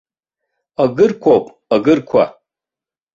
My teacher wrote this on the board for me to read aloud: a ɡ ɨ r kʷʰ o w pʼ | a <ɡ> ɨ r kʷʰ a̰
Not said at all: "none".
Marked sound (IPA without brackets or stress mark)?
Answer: ɡ